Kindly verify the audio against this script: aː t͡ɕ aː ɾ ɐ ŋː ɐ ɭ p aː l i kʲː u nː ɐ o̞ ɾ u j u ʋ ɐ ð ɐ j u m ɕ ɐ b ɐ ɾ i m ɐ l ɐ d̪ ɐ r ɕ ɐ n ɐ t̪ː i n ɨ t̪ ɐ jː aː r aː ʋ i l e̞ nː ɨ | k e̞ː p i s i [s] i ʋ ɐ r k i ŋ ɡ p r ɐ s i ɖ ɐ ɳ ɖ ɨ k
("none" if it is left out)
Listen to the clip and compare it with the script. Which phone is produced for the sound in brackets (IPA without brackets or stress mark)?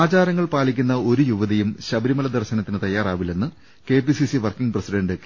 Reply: s